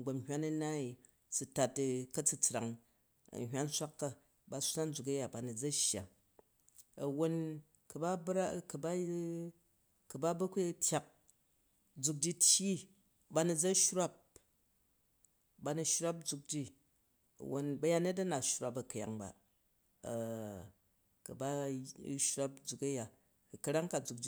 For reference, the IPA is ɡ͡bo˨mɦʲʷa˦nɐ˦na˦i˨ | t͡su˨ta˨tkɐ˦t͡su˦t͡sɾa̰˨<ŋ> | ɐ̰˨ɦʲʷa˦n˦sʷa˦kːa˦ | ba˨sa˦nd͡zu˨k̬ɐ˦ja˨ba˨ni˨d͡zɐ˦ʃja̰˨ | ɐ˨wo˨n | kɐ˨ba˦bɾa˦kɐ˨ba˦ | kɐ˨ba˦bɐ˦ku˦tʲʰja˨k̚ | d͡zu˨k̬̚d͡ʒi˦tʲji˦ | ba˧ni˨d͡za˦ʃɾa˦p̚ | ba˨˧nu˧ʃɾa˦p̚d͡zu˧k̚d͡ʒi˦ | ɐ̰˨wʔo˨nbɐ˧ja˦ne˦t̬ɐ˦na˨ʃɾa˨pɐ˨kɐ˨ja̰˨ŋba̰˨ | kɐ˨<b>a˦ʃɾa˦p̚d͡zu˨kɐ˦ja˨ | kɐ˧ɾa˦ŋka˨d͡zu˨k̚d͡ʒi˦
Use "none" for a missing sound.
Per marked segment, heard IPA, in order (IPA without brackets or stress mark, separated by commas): ŋ, b